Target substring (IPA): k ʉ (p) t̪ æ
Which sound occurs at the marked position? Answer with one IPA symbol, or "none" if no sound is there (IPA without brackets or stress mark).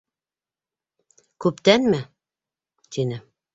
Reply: p